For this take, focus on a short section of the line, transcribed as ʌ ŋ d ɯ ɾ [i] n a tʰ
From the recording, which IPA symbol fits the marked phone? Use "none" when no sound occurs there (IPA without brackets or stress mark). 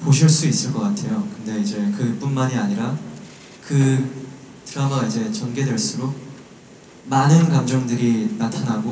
i